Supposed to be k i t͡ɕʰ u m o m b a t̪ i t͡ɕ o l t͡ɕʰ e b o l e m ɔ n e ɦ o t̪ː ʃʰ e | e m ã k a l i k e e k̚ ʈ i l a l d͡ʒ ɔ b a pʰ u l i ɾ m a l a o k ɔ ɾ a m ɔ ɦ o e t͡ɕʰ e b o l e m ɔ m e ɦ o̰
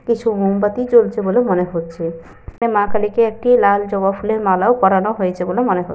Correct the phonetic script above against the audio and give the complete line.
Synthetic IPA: k i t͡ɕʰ u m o m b a t̪ i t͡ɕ o l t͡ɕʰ e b o l e m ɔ n e ɦ o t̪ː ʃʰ e | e m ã k a l i k e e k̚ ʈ i l a l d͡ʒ ɔ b a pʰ u l e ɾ m a l a o k ɔ ɾ a n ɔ ɦ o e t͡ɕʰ e b o l e m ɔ n e ɦ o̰